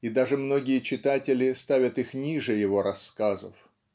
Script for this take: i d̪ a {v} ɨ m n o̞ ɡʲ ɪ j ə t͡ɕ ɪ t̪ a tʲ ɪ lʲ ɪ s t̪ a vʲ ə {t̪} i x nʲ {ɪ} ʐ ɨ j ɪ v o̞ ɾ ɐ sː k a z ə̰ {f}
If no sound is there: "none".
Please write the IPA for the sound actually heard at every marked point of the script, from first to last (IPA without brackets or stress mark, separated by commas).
ʐ, t̪, i, f